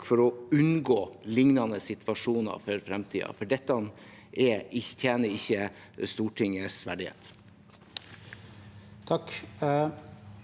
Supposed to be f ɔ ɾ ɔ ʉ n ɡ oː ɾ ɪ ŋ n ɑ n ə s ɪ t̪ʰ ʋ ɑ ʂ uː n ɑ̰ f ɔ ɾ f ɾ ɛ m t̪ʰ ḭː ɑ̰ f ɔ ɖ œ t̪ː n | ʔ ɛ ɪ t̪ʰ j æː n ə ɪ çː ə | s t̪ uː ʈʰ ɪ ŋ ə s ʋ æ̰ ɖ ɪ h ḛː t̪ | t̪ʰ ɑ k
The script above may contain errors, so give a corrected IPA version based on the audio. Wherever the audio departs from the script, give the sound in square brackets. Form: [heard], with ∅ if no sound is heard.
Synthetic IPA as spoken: f ɔ ɾ ɔ ʉ n ɡ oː [l] ɪ ŋ n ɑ n ə s ɪ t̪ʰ ʋ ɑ ʂ uː n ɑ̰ f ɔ ɾ f ɾ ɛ m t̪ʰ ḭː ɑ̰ f ɔ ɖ [ɛ] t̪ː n | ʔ ɛ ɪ t̪ʰ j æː n ə ɪ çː ə | s t̪ uː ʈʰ ɪ ŋ ə s ʋ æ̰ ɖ ɪ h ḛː t̪ | t̪ʰ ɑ k